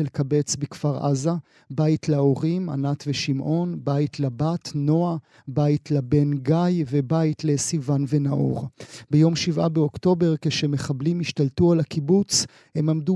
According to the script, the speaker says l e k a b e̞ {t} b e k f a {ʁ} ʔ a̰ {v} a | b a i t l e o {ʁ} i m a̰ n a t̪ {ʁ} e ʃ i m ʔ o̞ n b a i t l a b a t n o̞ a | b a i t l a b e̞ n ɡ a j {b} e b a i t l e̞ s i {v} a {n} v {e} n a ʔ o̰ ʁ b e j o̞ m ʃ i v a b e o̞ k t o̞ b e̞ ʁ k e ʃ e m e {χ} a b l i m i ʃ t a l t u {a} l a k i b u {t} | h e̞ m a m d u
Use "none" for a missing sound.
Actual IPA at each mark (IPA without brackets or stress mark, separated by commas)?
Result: t͡s, ʁ, z, ʁ, v, v, v, n, e, χ, a, t͡s